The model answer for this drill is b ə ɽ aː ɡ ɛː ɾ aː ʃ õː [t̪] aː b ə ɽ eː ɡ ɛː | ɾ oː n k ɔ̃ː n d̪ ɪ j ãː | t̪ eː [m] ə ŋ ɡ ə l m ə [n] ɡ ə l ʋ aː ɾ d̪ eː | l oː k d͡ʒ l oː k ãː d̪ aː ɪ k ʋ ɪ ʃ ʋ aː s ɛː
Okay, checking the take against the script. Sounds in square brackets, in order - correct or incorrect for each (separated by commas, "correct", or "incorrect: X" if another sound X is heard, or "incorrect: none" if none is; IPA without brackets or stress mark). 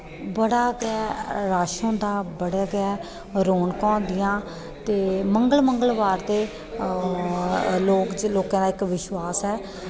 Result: incorrect: d̪, correct, incorrect: ŋ